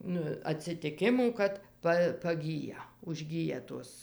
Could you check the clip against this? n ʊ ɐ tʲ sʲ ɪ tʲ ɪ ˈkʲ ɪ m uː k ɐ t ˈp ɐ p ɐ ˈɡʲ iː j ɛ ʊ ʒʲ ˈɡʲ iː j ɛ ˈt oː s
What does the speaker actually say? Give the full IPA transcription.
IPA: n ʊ ɐ tʲ sʲ ɪ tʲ ɪ ˈkʲ ɪ m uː k ɐ t ˈp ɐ p ɐ ˈɡʲ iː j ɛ ʊ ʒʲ ˈɡʲ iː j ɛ ˈt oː s